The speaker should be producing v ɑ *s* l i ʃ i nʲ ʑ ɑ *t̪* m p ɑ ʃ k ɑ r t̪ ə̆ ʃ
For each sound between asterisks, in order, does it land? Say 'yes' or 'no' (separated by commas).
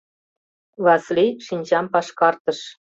yes, no